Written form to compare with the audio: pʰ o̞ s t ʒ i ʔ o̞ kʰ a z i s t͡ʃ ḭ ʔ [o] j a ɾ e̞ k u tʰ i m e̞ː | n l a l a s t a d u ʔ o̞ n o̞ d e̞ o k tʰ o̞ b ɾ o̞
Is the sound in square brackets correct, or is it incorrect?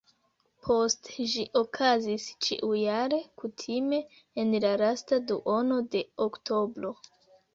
incorrect